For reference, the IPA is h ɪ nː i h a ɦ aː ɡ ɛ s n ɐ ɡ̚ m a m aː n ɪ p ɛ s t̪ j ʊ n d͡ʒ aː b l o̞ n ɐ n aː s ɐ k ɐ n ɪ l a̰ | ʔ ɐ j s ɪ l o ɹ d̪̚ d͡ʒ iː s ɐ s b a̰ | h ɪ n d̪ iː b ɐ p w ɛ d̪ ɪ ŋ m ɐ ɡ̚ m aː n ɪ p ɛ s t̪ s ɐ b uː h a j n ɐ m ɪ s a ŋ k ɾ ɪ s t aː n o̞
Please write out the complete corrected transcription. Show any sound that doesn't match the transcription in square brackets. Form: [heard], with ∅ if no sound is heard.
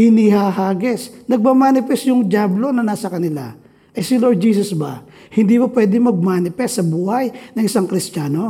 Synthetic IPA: h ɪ [n] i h a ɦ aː ɡ ɛ s n ɐ ɡ̚ m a m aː n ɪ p ɛ s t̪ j ʊ [ŋ] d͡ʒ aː b l o̞ n ɐ n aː s ɐ k ɐ n ɪ l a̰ | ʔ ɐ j s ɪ l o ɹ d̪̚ d͡ʒ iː s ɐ s b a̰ | h ɪ n d̪ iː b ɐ p w ɛ d̪ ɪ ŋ m ɐ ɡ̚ m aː n ɪ p ɛ s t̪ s ɐ b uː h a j n ɐ [ŋ] ɪ s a ŋ k ɾ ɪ s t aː n o̞